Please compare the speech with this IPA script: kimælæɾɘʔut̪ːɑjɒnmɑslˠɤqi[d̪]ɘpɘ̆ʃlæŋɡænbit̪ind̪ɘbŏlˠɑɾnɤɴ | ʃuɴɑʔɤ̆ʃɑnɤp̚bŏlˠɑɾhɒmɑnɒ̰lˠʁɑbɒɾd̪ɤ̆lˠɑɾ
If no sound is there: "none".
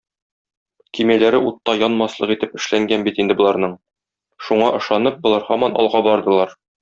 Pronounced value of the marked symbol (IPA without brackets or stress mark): t̪